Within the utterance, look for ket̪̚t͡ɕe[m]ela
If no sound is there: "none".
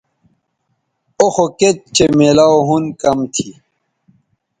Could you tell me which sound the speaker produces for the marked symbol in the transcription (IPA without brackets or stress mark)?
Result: m